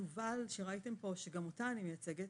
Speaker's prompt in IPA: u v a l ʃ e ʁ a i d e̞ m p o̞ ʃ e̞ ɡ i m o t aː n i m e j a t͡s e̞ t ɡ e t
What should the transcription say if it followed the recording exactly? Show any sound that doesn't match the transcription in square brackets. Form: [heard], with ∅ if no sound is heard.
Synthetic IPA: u v a l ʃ e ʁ a i [t] e̞ m p o̞ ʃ e̞ ɡ [a] m o t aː n i m e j a t͡s e̞ [∅] ɡ e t